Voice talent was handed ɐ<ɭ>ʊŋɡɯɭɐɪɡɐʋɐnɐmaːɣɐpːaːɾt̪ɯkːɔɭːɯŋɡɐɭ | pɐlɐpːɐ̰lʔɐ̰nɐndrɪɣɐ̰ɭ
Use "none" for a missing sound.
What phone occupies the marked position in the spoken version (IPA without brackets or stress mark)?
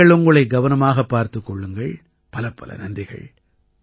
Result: ɭ